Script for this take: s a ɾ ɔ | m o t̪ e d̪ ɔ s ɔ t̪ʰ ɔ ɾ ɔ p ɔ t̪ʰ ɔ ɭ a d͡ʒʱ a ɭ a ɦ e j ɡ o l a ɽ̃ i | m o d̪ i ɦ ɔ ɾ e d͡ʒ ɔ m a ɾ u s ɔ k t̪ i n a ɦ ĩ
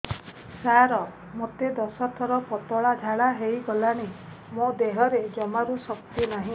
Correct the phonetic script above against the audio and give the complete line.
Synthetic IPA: s a ɾ ɔ | m o t̪ e d̪ ɔ s ɔ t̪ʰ ɔ ɾ ɔ p ɔ t̪ ɔ ɭ a d͡ʒʱ a ɭ a ɦ e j ɡ ɔ l a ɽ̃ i | m o d̪ e ɦ ɔ ɾ e d͡ʒ ɔ m a ɾ u s ɔ k t̪ i n a ɦ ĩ